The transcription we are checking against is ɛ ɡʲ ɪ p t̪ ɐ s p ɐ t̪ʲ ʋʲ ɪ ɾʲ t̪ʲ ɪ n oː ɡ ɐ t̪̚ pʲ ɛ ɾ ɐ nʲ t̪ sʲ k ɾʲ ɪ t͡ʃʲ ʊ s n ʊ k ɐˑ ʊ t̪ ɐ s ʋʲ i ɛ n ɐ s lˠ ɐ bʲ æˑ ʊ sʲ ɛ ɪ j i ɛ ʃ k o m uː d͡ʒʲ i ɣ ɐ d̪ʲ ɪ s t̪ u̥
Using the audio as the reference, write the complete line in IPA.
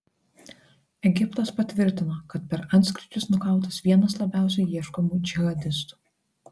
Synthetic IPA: ɛ ɡʲ ɪ p t̪ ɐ s p ɐ t̪ʲ ʋʲ ɪ ɾʲ t̪ʲ ɪ n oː k ɐ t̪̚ pʲ ɛ ɾ ɐ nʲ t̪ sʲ k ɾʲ ɪ t͡ʃʲ ʊ s n ʊ k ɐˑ ʊ t̪ ɐ s ʋʲ i ɛ n ɐ s lˠ ɐ bʲ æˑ ʊ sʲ ɛ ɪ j i ɛ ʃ k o m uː d͡ʒʲ ɪ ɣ ɐ d̪ʲ ɪ s t̪ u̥